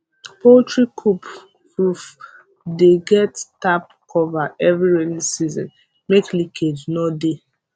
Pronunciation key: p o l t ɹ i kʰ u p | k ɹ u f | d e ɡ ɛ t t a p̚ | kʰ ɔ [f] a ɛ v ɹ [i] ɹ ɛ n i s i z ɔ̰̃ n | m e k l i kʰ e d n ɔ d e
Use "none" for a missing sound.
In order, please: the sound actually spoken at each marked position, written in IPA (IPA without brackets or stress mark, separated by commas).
v, i